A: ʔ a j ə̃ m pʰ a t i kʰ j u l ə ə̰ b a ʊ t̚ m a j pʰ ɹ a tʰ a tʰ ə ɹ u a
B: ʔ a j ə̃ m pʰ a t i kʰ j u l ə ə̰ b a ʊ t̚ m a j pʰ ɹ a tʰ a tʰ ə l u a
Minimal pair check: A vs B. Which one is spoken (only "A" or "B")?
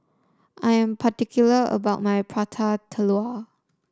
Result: B